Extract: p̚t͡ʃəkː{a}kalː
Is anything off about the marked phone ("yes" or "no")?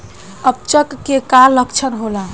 yes